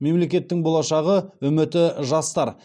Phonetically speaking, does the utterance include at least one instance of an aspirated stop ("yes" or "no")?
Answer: no